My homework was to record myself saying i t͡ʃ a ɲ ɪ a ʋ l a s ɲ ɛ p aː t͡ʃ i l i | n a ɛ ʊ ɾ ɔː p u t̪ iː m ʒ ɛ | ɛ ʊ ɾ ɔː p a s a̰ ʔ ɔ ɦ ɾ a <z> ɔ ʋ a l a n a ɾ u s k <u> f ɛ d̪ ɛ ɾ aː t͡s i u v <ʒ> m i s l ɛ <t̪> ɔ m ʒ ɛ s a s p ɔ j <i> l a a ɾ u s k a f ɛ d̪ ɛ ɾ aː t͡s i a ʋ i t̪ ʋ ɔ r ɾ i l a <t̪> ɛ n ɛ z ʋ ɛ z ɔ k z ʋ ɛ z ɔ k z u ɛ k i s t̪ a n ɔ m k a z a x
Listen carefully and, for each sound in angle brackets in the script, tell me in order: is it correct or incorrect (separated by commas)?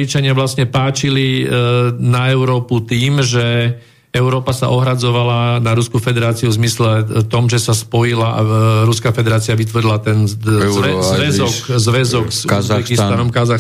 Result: incorrect, correct, incorrect, correct, correct, correct